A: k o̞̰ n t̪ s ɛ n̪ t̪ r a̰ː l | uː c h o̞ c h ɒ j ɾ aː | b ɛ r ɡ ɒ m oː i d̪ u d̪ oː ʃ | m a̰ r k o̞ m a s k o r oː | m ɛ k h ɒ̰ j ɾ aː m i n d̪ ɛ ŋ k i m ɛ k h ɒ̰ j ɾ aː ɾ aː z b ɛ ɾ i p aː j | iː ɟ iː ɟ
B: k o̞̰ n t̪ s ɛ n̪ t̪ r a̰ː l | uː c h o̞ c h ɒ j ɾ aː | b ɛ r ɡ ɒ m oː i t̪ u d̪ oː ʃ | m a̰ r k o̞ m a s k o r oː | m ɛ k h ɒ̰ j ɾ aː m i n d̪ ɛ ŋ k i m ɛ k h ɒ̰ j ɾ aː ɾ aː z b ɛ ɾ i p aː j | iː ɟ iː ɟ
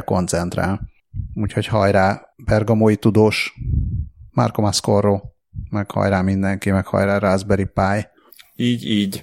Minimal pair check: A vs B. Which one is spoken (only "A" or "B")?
B